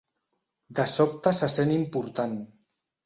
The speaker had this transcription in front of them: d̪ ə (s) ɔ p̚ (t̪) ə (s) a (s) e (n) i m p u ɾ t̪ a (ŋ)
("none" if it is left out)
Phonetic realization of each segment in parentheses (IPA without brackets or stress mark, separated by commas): s, t̪, s, s, n, n